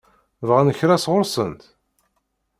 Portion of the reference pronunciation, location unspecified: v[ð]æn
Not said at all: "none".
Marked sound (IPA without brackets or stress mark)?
ʁ